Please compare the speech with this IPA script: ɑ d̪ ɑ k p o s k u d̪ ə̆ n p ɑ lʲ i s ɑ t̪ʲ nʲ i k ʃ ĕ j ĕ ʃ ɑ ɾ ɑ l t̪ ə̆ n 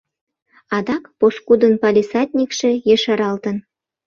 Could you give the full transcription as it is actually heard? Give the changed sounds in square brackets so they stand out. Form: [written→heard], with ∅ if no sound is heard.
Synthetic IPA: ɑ d̪ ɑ k p o s k u d̪ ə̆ n p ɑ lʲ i s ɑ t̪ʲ nʲ i k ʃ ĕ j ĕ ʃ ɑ ɾ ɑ l t̪ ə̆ n